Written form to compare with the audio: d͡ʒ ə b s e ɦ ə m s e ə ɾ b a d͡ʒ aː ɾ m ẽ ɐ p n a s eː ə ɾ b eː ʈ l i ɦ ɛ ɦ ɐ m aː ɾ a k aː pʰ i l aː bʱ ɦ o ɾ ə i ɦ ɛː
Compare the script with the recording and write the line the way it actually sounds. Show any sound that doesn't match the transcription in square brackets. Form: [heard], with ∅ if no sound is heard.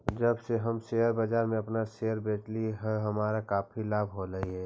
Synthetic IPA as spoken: d͡ʒ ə b s e ɦ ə m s e ə ɾ b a d͡ʒ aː ɾ m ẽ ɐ p n a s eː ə ɾ b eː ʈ l i ɦ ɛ ɦ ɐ m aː ɾ a k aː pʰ i l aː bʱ ɦ o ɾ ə i ɦ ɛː